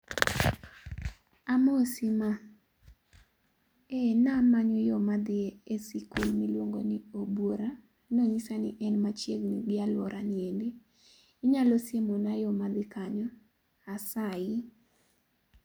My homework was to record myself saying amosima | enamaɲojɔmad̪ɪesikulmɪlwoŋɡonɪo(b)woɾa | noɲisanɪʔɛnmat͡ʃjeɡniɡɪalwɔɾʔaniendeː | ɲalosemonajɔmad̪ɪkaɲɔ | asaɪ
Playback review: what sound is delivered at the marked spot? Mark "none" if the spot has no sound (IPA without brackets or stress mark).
b